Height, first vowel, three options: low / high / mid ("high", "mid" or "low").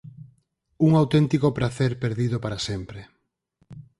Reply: high